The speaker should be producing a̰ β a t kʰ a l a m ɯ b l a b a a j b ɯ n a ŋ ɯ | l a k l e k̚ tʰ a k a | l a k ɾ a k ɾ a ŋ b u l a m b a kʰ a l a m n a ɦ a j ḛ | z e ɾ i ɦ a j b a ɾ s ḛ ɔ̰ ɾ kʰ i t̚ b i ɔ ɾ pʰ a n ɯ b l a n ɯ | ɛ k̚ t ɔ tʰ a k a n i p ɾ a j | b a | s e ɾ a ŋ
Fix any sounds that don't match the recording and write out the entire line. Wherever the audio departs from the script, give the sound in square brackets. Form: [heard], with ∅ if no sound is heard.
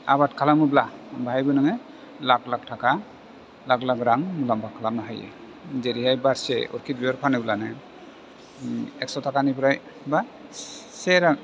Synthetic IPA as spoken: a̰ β a t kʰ a l a m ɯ b l a b a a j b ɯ n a ŋ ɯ | l a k l [a] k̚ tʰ a k a | l a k [l] a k ɾ a ŋ [m] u l a m b a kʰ a l a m n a ɦ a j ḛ | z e ɾ i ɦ a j b a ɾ s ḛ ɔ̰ ɾ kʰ i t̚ b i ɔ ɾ pʰ a n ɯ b l a n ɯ | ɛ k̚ [s] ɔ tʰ a k a n i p ɾ a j | b a | s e ɾ a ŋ